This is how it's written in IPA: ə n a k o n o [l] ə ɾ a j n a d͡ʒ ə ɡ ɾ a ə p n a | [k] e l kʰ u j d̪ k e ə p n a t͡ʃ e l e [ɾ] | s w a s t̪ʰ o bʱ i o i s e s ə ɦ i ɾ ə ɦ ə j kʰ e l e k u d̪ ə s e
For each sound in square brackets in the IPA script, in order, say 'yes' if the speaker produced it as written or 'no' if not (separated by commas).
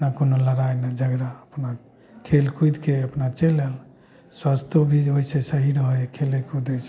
yes, no, no